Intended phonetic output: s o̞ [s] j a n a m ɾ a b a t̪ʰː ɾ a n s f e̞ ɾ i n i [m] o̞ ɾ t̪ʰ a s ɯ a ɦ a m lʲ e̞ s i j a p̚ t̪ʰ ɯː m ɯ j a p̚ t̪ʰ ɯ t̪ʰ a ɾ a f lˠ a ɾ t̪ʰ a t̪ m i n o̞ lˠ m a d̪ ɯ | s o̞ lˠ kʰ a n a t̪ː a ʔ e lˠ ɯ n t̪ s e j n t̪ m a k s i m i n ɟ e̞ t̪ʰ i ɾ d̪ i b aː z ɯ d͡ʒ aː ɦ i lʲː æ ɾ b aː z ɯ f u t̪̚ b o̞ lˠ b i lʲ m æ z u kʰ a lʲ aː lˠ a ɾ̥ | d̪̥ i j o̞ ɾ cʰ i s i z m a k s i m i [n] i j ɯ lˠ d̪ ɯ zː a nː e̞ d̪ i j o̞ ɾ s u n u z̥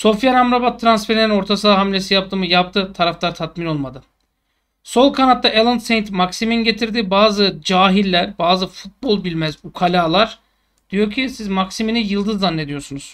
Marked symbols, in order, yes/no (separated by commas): no, no, yes